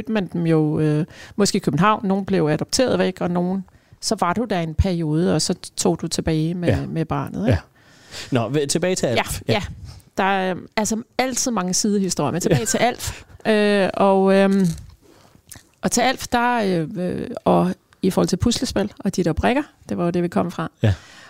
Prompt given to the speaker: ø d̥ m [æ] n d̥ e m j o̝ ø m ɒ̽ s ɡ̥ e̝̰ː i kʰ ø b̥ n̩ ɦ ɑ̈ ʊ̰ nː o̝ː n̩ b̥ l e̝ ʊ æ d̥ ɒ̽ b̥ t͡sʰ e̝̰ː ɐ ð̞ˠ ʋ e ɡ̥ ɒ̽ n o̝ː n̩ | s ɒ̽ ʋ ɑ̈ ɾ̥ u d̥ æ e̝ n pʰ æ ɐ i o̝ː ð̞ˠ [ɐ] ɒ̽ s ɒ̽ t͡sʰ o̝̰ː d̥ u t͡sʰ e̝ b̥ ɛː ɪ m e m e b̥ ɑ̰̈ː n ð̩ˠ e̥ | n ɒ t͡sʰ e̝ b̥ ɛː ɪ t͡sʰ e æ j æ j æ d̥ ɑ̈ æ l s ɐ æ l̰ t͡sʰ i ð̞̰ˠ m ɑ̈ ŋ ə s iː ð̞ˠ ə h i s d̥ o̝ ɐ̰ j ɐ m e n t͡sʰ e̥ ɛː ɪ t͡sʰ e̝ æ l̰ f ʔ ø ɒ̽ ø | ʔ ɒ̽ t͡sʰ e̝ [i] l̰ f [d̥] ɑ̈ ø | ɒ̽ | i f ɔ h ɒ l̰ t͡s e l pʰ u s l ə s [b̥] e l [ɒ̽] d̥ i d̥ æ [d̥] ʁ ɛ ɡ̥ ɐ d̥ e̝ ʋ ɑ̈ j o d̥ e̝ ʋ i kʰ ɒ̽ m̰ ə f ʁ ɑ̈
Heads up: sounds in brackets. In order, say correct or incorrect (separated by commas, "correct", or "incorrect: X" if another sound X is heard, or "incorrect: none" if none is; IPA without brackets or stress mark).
correct, incorrect: ə, incorrect: æ, correct, correct, correct, incorrect: b̥